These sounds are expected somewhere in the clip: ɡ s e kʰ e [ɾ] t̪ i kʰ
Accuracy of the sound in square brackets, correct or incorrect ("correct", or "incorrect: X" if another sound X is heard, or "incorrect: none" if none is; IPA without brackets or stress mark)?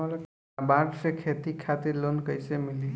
incorrect: none